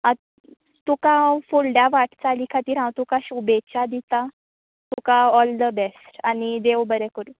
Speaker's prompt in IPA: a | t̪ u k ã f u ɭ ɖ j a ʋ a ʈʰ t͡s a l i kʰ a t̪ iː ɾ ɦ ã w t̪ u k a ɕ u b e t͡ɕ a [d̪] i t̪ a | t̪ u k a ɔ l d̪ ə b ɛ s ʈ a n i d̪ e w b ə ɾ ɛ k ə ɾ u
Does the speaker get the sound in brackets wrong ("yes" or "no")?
no